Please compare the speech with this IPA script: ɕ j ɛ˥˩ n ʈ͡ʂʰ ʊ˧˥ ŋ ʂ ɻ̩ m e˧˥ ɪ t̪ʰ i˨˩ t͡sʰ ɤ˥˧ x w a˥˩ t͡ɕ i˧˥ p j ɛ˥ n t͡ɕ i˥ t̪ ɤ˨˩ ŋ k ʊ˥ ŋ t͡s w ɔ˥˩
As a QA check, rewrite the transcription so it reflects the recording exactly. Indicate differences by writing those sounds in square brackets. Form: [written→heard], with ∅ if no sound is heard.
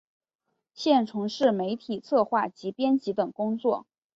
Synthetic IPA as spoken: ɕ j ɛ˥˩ n ʈ͡ʂʰ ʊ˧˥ ŋ ʂ ɻ̩ m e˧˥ ɪ t̪ʰ i˨˩ t͡sʰ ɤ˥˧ x w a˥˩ t͡ɕ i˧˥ p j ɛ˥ n t͡ɕ [i˥→i˧˥] t̪ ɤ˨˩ ŋ k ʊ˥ ŋ t͡s w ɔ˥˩